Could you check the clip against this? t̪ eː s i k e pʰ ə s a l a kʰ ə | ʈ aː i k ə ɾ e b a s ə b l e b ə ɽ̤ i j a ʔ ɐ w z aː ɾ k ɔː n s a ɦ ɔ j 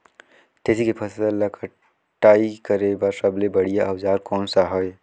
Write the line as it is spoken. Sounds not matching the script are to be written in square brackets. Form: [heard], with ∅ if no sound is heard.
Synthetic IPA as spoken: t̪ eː s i k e pʰ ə s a l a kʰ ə | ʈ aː i k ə ɾ e b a s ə b l e b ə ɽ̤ i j a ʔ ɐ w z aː ɾ k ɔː n s a ɦ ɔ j